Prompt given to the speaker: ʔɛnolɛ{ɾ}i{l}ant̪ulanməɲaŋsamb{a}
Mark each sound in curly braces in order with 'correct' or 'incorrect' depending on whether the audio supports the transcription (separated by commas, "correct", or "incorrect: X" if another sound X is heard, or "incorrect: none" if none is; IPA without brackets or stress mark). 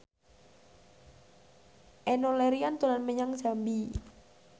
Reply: correct, incorrect: none, incorrect: i